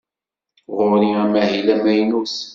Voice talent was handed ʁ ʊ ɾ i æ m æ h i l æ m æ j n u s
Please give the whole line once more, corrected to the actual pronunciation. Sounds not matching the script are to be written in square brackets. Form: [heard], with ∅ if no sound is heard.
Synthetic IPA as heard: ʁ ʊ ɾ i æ m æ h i l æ m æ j n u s